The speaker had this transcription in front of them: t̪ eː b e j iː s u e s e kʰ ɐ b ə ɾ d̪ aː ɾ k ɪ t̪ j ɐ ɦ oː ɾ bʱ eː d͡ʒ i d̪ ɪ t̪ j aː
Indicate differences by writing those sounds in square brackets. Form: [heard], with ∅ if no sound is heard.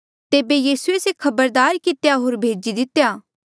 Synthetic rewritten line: t̪ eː b e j iː s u e s e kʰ ɐ b ə ɾ d̪ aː ɾ k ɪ t̪ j [a] ɦ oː ɾ bʱ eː d͡ʒ i d̪ ɪ t̪ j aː